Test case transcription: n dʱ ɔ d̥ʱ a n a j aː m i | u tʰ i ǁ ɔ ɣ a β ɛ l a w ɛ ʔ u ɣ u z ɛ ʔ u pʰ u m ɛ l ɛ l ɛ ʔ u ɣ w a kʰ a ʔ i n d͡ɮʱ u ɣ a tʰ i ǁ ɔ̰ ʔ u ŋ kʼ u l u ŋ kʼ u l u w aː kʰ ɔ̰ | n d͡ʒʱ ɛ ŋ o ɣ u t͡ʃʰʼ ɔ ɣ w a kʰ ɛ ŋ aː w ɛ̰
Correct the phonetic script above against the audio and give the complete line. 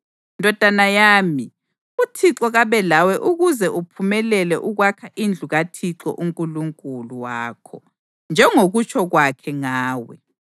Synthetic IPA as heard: n dʱ ɔ d̥ʱ a n a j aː m i | u tʰ i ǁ ɔ ɣ a β ɛ l a w ɛ ʔ u ɣ u z ɛ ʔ u pʰ u m ɛ l ɛ l ɛ ʔ u ɣ w a kʰ a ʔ i n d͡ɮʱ u ɣ a tʰ i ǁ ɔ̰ ʔ u ŋ kʼ u l u ŋ kʼ u l u w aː kʰ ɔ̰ | n d͡ʒʱ ɛ ŋ o ɣ u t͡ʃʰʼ ɔ ɣ w a kʰ ɛ ŋ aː w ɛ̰